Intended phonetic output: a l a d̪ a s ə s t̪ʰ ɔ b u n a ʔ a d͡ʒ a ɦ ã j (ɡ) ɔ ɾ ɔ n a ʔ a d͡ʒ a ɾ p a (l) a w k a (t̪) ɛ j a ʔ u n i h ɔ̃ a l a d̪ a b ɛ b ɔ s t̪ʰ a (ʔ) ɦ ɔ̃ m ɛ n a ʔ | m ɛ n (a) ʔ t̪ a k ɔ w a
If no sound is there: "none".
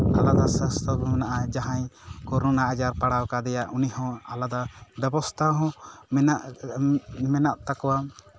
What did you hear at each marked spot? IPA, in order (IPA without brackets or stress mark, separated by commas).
k, ɽ, d̪, none, a